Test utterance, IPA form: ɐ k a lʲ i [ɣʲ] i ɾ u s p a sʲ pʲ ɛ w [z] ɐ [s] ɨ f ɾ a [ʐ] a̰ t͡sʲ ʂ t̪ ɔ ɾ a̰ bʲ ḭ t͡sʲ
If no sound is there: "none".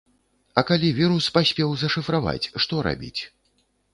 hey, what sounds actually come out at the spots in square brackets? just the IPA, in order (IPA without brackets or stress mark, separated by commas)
vʲ, z, ʂ, v